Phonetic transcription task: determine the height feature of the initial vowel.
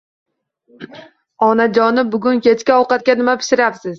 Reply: low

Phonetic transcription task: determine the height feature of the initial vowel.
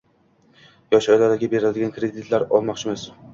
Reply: low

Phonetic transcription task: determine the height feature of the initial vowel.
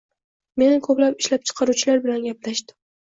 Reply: mid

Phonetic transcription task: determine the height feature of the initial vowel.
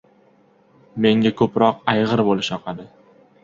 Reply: mid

